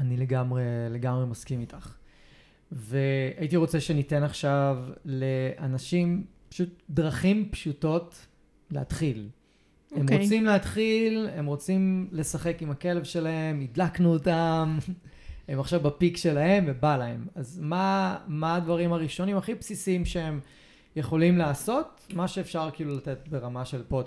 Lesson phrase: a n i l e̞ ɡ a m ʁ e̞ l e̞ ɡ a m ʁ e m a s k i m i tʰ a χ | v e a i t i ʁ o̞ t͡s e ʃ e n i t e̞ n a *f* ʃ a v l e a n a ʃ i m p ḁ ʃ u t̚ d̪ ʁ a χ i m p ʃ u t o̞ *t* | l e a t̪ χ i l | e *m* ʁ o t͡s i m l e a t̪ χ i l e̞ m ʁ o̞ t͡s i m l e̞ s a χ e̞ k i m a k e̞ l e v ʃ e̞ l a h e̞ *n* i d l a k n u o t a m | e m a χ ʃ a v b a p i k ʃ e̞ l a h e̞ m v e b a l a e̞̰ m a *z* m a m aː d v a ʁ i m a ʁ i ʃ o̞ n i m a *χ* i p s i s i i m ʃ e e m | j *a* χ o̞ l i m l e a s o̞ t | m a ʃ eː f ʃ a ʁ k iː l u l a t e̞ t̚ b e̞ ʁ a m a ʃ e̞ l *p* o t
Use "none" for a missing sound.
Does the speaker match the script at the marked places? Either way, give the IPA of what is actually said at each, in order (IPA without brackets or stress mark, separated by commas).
χ, t, m, m, z, χ, e, p